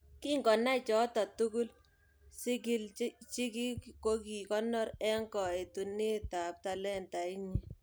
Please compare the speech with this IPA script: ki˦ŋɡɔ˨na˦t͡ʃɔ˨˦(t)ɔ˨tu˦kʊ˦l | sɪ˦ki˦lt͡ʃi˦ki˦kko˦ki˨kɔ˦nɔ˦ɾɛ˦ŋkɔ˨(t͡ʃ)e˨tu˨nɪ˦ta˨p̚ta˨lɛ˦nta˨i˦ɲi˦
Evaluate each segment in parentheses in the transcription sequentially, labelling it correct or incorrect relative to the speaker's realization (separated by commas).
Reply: correct, incorrect